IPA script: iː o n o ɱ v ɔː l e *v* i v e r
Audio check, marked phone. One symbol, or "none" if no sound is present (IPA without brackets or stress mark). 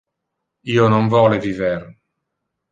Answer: v